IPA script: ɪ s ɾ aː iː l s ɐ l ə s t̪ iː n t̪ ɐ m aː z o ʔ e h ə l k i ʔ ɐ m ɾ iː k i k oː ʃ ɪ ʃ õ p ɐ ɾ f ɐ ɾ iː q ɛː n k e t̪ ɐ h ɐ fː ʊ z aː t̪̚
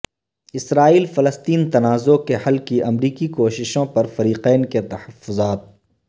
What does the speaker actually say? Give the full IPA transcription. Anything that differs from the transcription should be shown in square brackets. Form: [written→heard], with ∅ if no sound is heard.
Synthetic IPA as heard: ɪ s ɾ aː iː l [s→f] ɐ l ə s t̪ iː n t̪ ɐ [m→n] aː z o [ʔ→k] e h [ə→ɐ] l k i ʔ ɐ m ɾ iː k i k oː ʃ ɪ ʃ õ p ɐ ɾ f ɐ ɾ iː q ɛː n k e t̪ ɐ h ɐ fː ʊ z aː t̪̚